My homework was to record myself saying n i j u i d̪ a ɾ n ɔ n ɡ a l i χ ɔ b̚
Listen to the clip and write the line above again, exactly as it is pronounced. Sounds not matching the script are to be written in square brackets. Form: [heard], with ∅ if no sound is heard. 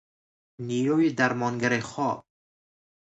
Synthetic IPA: n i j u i d̪ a ɾ [m] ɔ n ɡ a [ɾ] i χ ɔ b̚